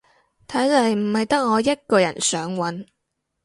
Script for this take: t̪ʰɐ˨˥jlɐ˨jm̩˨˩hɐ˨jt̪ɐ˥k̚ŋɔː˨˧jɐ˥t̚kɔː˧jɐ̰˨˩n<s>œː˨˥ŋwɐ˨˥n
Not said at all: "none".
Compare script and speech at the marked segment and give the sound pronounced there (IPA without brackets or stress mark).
s